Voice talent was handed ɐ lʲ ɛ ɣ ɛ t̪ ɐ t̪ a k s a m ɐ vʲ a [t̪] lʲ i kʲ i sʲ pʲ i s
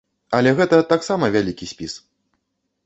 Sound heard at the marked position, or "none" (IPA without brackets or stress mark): none